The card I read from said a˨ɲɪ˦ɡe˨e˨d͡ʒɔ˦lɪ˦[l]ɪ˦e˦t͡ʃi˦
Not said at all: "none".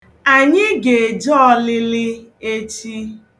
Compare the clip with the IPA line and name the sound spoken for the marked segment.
l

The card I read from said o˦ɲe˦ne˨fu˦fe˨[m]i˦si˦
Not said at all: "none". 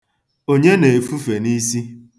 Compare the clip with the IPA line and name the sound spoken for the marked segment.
n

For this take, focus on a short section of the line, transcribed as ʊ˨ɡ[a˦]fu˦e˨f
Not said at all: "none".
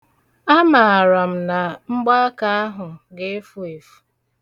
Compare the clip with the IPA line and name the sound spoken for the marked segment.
e˦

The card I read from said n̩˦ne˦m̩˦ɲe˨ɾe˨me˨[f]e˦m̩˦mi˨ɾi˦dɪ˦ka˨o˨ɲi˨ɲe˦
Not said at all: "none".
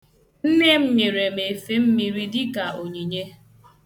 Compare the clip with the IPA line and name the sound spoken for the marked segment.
f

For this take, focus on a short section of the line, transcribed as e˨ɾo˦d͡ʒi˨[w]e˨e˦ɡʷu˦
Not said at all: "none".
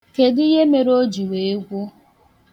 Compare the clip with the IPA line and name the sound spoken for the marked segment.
w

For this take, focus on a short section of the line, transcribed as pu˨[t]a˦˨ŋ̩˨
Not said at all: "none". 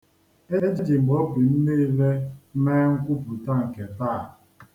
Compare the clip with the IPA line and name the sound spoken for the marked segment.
t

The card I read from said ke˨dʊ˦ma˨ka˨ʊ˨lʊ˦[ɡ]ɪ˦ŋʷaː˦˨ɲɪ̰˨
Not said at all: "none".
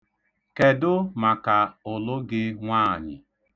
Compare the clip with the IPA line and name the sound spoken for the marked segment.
ɡ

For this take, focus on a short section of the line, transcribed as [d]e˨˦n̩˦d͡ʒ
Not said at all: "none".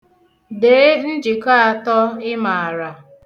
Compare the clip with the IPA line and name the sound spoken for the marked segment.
d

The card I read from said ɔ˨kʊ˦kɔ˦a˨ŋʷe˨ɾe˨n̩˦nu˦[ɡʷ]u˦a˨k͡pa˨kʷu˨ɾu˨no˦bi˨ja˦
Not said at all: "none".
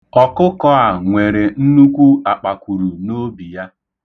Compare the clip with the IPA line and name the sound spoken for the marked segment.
kʷ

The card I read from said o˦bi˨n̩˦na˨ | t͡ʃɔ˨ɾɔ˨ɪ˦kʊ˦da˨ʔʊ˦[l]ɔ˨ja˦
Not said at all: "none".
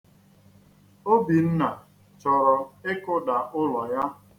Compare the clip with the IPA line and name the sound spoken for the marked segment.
l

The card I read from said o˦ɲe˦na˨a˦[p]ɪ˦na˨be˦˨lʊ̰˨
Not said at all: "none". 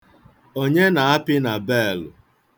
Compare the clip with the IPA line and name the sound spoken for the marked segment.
p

